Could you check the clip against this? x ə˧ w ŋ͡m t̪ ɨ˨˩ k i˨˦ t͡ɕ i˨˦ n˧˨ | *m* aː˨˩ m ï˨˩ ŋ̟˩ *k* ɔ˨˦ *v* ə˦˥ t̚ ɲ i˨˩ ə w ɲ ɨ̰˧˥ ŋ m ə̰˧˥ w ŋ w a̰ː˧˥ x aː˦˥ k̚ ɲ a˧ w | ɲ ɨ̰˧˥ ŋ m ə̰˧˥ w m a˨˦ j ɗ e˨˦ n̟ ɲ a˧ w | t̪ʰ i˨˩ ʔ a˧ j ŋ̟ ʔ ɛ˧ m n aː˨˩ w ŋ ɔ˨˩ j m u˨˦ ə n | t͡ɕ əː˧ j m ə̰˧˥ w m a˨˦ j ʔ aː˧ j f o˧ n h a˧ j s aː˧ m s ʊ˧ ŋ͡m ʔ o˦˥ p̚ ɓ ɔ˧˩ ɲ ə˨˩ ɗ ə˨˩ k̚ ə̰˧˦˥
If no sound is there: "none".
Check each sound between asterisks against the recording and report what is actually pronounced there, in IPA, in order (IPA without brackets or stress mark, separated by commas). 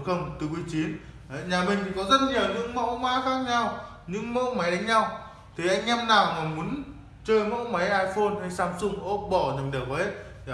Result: ɲ, k, z